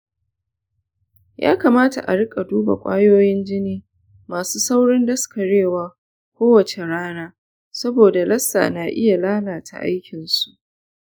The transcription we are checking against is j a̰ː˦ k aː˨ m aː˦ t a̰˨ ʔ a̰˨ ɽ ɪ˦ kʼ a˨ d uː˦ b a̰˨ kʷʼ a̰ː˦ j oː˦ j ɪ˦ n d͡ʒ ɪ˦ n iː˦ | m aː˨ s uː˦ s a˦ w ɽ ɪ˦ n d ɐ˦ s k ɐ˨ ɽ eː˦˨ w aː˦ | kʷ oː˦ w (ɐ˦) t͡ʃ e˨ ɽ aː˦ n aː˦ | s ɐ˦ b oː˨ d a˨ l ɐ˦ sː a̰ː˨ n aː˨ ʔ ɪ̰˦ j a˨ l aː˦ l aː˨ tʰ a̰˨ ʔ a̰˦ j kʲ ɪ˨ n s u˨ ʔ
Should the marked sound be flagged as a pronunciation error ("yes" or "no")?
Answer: yes